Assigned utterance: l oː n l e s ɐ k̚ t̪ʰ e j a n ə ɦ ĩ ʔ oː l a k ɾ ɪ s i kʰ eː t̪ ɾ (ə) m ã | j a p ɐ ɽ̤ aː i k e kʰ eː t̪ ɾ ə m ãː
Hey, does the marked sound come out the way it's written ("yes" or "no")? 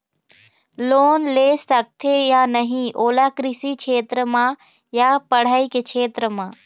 yes